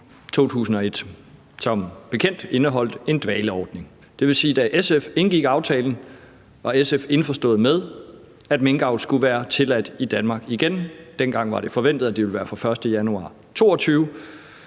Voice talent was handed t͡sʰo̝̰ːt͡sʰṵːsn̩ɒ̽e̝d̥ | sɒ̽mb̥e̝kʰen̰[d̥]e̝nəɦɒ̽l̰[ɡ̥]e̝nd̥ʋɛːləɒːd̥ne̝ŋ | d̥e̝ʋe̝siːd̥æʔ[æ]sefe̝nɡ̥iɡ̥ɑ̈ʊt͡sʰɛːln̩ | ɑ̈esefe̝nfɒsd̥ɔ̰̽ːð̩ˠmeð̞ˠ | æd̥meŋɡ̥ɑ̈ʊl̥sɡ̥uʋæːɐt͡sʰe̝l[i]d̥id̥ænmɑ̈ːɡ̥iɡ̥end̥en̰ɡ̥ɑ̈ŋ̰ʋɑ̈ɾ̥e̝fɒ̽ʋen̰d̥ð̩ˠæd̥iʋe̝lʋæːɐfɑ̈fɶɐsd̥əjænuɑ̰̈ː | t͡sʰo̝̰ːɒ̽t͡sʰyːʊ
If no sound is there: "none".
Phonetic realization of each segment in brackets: d̥, d̥, e, æ

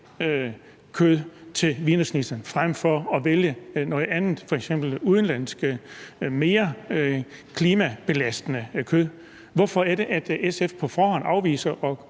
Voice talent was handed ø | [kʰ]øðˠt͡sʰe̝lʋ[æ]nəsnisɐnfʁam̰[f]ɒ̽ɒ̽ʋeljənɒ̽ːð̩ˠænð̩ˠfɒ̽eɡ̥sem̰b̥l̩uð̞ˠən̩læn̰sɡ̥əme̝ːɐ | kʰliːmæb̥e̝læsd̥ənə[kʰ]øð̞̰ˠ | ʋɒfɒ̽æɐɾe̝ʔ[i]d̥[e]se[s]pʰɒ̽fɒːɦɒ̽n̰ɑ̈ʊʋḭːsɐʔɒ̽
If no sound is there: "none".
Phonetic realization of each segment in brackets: kʰ, i, f, kʰ, æ, e, f

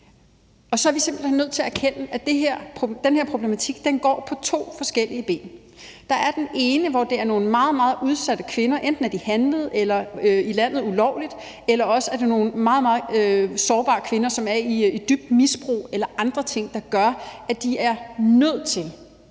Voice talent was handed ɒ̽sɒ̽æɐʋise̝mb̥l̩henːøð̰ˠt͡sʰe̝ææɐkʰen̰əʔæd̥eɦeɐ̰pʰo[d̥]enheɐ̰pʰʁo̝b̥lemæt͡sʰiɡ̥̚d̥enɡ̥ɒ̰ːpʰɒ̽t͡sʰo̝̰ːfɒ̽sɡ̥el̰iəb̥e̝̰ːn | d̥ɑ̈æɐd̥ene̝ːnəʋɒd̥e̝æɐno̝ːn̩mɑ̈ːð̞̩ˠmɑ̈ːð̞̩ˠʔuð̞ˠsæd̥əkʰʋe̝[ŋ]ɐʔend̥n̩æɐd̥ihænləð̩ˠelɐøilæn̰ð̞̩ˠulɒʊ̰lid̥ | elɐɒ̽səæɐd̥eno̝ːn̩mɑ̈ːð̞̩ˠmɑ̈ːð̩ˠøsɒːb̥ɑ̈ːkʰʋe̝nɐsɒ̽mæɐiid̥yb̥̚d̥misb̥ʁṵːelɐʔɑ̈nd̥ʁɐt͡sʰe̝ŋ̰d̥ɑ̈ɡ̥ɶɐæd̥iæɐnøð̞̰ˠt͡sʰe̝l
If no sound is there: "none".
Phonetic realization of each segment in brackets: d̥, n

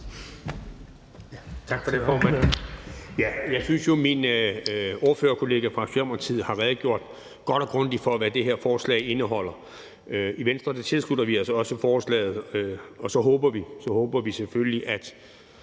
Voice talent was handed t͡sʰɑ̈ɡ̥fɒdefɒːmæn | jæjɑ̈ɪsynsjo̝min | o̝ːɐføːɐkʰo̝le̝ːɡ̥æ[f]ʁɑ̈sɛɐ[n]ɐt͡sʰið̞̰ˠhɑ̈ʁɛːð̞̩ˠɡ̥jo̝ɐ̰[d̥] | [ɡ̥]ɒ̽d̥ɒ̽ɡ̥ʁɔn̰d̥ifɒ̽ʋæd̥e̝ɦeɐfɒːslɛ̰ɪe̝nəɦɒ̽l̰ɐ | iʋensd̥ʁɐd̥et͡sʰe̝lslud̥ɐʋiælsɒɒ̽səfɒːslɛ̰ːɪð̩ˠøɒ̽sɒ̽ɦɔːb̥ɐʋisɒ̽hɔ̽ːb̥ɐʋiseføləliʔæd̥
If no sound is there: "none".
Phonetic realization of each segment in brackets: f, m, d̥, ɡ̥

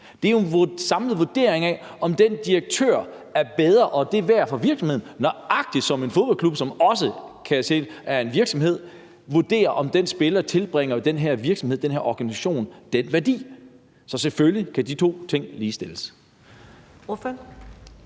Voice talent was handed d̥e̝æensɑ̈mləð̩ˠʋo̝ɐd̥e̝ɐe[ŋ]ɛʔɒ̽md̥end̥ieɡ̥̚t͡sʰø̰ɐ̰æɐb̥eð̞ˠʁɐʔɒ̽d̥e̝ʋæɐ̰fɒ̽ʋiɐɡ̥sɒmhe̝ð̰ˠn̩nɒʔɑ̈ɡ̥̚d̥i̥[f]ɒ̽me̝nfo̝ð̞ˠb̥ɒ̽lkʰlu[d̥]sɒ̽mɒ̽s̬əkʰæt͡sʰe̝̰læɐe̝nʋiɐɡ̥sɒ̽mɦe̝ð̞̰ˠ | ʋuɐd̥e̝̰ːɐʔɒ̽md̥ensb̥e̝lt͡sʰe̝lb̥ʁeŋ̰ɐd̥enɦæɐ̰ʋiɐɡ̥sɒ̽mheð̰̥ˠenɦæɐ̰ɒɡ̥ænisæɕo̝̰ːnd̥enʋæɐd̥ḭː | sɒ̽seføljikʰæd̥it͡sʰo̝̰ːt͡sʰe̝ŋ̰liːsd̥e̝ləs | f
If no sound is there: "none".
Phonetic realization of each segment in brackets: ŋ, s, b̥

